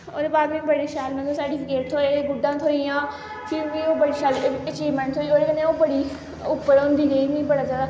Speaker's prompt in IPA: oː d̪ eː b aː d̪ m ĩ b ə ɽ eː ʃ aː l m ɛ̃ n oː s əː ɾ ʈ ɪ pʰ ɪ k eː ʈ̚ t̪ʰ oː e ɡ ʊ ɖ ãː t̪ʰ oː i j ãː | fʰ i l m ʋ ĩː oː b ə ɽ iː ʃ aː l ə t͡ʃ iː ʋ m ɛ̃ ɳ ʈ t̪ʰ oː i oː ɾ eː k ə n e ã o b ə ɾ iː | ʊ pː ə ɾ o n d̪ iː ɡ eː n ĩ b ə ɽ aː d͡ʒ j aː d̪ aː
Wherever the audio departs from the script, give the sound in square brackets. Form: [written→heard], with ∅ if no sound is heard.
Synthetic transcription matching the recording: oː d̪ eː b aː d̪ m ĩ b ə ɽ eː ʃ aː l m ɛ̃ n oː s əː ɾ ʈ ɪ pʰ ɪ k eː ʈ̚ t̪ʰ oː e ɡ ʊ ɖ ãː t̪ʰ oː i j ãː | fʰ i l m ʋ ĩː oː b ə ɽ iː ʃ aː l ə t͡ʃ iː ʋ m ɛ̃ ɳ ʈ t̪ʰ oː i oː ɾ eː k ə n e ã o b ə [ɾ→ɽ] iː | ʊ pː ə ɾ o n d̪ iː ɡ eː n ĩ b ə ɽ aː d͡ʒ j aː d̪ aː